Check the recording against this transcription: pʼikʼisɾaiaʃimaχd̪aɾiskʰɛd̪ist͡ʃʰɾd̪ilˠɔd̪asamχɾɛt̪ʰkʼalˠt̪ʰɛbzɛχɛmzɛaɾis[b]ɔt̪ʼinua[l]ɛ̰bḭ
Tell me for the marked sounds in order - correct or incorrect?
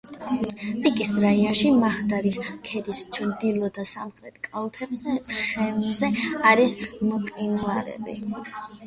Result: incorrect, incorrect

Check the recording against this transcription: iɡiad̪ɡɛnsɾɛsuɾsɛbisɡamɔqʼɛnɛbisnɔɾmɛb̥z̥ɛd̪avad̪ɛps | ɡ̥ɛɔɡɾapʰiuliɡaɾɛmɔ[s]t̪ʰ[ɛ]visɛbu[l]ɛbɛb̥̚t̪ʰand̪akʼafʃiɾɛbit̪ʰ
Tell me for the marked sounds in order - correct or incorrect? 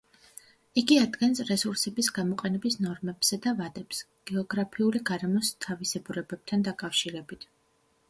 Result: correct, incorrect, incorrect

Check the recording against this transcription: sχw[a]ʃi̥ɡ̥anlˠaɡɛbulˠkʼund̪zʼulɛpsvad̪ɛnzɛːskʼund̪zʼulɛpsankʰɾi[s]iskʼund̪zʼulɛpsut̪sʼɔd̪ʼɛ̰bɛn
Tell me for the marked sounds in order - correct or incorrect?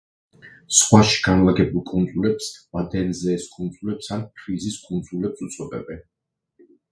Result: correct, incorrect

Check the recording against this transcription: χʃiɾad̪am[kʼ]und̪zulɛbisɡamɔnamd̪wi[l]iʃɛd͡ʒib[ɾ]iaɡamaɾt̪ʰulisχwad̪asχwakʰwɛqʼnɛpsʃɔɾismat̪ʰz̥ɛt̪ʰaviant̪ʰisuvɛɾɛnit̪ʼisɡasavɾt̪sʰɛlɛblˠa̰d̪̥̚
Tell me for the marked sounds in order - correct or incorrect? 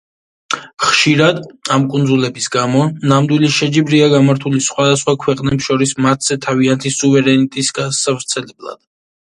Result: correct, correct, correct

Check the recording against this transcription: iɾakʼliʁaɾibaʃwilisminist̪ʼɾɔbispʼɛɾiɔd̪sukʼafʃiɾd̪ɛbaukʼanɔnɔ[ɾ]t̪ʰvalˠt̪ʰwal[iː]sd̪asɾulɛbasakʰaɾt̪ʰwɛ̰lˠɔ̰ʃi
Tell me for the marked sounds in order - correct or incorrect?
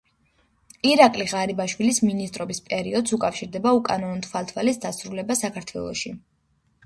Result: incorrect, incorrect

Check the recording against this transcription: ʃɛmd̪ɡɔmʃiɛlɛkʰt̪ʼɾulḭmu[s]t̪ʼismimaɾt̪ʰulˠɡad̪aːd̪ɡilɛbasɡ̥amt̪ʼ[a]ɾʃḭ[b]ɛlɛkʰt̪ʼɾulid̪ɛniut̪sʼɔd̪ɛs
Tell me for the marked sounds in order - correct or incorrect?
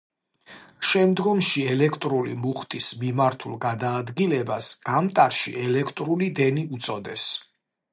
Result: incorrect, correct, incorrect

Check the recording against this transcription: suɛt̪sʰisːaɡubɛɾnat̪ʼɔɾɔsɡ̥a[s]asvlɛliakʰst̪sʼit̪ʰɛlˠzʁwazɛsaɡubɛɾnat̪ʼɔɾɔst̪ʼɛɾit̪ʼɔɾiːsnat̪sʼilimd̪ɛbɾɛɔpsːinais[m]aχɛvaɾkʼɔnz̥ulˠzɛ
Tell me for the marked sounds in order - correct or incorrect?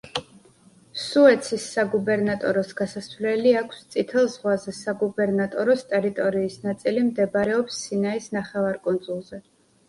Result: correct, incorrect

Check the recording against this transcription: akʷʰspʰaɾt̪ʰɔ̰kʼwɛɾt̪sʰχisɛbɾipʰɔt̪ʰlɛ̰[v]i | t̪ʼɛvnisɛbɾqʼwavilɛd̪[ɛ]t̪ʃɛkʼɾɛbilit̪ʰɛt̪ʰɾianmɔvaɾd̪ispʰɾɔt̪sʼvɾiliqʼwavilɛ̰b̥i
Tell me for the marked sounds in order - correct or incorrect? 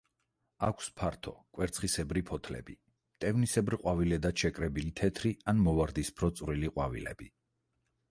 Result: incorrect, incorrect

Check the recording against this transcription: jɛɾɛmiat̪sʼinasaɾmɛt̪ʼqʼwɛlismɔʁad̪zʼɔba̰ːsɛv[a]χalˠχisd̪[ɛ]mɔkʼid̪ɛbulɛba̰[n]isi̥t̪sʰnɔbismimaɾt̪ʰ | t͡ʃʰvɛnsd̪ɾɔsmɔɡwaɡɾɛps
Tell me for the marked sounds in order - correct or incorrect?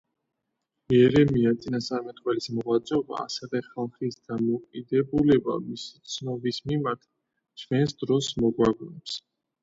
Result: incorrect, incorrect, incorrect

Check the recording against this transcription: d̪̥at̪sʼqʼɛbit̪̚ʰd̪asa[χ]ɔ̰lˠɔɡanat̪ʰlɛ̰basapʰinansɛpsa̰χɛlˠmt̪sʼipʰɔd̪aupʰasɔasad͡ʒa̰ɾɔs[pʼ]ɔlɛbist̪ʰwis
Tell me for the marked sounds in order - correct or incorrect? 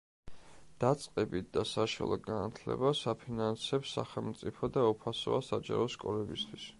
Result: incorrect, incorrect

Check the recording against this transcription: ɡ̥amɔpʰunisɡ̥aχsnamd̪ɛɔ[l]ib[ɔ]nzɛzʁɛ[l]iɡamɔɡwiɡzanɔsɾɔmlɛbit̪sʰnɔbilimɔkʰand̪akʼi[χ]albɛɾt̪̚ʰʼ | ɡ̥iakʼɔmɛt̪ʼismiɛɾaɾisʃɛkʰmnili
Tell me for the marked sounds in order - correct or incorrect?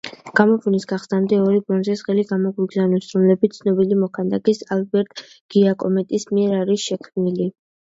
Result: incorrect, correct, correct, incorrect

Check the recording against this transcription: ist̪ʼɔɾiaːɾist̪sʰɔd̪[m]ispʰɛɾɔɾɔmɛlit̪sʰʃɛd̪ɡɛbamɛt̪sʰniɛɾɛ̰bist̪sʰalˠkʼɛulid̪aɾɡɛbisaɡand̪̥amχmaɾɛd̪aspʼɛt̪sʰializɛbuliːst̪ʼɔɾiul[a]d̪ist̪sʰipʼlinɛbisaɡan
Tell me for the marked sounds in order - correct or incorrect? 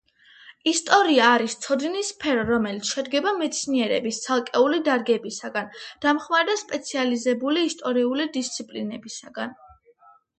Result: incorrect, incorrect

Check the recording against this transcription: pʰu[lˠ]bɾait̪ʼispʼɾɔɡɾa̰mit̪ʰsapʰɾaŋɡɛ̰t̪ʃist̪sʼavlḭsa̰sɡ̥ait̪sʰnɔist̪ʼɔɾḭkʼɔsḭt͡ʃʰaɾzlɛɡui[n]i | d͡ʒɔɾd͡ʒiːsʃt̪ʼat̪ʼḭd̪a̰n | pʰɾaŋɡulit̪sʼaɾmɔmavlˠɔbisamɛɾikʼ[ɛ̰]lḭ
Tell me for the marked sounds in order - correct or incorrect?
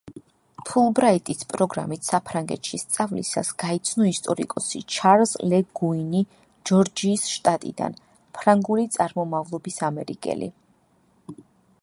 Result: correct, correct, correct

